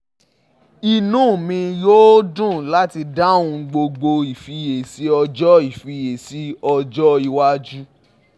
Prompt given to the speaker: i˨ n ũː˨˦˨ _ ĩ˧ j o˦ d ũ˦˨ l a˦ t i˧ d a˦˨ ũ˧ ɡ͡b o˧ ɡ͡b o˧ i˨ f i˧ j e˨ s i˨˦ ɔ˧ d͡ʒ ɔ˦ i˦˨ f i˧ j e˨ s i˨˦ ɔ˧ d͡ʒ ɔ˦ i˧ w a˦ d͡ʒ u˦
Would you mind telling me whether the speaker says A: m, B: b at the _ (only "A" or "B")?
A